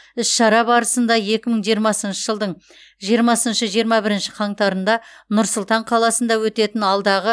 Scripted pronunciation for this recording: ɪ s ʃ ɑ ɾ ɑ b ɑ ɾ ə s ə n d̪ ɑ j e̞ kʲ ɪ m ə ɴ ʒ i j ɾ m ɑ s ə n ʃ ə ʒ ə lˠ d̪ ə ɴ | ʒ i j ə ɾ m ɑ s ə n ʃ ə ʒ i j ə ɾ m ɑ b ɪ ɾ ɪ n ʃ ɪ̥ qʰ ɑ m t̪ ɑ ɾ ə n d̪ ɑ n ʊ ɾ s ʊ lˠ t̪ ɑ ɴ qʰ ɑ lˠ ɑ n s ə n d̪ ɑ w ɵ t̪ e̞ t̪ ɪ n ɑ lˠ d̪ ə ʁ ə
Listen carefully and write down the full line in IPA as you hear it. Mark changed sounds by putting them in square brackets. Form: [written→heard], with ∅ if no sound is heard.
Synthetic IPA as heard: ɪ s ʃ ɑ ɾ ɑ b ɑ ɾ ə s ə n d̪ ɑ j e̞ kʲ ɪ m ə ɴ ʒ i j ɾ m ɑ s ə n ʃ ə ʒ ə lˠ d̪ ə ɴ | ʒ i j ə ɾ m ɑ s ə n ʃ ə ʒ i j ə ɾ m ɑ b ɪ ɾ ɪ n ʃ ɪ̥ qʰ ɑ [m→ɴ] t̪ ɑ ɾ ə n d̪ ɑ n ʊ ɾ s ʊ lˠ t̪ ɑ ɴ qʰ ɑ lˠ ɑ [n→∅] s ə n d̪ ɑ w ɵ t̪ e̞ t̪ ɪ n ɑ lˠ d̪ [ə→ɑ] ʁ ə

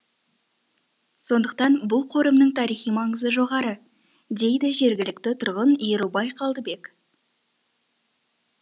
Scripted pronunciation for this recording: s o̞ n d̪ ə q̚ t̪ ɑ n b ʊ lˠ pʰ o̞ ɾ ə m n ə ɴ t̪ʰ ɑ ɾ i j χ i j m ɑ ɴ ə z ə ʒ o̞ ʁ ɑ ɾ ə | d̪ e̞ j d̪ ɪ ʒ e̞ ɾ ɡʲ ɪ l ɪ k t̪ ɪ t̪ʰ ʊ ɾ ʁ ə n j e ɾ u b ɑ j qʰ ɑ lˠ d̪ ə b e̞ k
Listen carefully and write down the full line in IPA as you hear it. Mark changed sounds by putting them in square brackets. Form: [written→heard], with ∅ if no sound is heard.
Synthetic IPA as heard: s o̞ n d̪ ə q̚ t̪ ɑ n b ʊ lˠ [pʰ→qʰ] o̞ ɾ ə m n ə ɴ t̪ʰ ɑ ɾ i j χ i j m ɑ ɴ ə z ə ʒ o̞ ʁ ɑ ɾ ə | d̪ e̞ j d̪ ɪ ʒ e̞ ɾ ɡʲ ɪ l ɪ k t̪ ɪ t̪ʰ ʊ ɾ ʁ ə n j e ɾ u b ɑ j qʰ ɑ lˠ d̪ ə b e̞ k

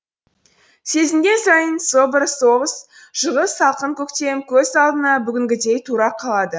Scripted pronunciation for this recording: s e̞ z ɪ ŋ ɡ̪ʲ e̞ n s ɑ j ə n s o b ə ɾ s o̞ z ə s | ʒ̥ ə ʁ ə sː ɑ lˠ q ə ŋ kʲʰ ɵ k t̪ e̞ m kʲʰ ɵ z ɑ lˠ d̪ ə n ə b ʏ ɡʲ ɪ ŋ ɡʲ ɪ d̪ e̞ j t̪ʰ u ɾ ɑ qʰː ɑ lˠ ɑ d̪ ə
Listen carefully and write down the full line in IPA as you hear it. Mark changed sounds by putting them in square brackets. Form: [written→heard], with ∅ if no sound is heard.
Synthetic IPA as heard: s e̞ z ɪ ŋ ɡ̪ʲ e̞ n s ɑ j ə n s o b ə ɾ s o̞ [z→ʁ] ə s | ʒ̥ ə ʁ ə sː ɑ lˠ q ə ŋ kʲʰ ɵ k t̪ e̞ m kʲʰ ɵ z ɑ lˠ d̪ ə n [ə→ɑ] b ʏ ɡʲ ɪ ŋ ɡʲ ɪ d̪ e̞ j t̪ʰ u ɾ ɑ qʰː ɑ lˠ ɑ d̪ ə

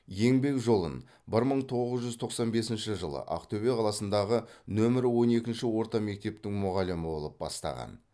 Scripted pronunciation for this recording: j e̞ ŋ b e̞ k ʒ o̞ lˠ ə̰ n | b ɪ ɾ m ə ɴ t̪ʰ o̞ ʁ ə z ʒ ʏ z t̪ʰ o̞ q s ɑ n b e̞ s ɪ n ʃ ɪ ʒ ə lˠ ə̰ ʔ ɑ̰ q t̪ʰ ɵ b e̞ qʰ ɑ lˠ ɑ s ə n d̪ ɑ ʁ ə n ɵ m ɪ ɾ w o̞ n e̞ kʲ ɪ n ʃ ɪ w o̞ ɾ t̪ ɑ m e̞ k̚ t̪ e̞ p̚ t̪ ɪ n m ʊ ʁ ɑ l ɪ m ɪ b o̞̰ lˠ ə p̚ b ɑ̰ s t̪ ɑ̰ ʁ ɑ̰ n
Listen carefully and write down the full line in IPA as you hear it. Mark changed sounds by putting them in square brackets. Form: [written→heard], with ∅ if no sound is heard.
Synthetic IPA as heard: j e̞ ŋ b e̞ k ʒ o̞ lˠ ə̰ n | b ɪ ɾ m ə ɴ t̪ʰ o̞ ʁ ə z ʒ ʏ z t̪ʰ o̞ q s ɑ n b e̞ s ɪ n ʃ ɪ ʒ ə lˠ ə̰ ʔ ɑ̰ q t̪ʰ ɵ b e̞ qʰ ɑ lˠ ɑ s ə n d̪ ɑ ʁ ə n ɵ m ɪ ɾ w o̞ n e̞ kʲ ɪ n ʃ ɪ w o̞ ɾ t̪ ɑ m e̞ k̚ t̪ e̞ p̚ t̪ ɪ [n→ŋ] m ʊ ʁ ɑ l ɪ m ɪ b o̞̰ lˠ ə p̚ b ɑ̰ s t̪ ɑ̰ ʁ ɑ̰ n

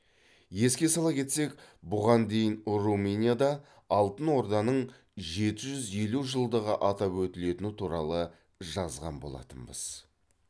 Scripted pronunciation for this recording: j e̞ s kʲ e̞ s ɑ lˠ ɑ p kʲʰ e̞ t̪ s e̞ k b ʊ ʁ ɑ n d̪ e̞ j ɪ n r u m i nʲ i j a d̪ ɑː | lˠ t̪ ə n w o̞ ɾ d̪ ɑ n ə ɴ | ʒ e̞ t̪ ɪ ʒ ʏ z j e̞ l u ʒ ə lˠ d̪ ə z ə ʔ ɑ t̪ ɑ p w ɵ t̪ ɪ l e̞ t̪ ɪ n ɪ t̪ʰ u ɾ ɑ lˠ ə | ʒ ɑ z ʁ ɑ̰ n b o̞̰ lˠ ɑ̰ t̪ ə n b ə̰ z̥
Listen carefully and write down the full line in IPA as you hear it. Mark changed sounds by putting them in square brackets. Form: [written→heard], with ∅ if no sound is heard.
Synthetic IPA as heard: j e̞ s kʲ e̞ s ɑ lˠ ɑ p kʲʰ e̞ t̪ s e̞ k b ʊ ʁ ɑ n d̪ e̞ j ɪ n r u m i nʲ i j a d̪ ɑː | lˠ t̪ ə n w o̞ ɾ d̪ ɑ n ə ɴ | ʒ e̞ t̪ ɪ ʒ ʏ z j e̞ l u ʒ ə lˠ d̪ ə [z→ʁ] ə ʔ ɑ t̪ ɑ p w ɵ t̪ ɪ l e̞ t̪ ɪ n ɪ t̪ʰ u ɾ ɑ lˠ ə | ʒ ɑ z ʁ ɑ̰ n b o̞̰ lˠ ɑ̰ t̪ ə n b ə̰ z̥

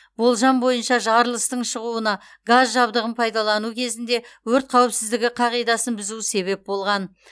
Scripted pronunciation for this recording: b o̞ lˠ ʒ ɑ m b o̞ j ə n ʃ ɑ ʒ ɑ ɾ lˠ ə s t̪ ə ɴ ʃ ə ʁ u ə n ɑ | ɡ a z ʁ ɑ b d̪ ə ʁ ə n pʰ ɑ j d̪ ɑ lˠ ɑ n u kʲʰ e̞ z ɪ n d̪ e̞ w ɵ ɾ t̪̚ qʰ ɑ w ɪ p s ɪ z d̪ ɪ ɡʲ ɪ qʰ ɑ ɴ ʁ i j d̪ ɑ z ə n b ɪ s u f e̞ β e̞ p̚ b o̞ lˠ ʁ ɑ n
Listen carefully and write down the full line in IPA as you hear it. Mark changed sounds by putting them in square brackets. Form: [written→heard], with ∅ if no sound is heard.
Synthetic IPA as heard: b o̞ lˠ ʒ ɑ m b o̞ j ə n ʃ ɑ ʒ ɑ ɾ lˠ ə s t̪ ə ɴ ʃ ə ʁ u ə n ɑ | ɡ a z [ʁ→ʒ] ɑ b d̪ ə ʁ ə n pʰ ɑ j d̪ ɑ lˠ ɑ n u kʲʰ e̞ z ɪ n d̪ e̞ w ɵ ɾ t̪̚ qʰ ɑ w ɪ p s ɪ z d̪ ɪ ɡʲ ɪ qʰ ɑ [ɴ→∅] ʁ i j d̪ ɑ [z→s] ə n b ɪ [s→z] u [f→s] e̞ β e̞ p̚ b o̞ lˠ ʁ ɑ n

